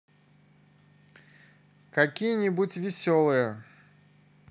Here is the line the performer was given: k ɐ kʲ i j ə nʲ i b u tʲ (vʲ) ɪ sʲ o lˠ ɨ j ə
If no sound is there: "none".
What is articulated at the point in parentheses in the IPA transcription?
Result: vʲ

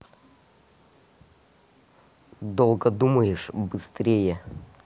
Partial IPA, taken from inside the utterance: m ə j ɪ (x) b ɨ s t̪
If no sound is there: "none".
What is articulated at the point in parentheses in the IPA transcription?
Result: ʂ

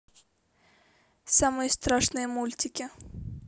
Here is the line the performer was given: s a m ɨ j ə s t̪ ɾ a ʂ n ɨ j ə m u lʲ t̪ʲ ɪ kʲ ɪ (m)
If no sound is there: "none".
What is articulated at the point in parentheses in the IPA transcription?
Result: none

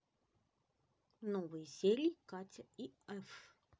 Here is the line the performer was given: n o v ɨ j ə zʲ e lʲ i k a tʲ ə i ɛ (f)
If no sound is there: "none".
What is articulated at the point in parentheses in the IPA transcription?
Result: f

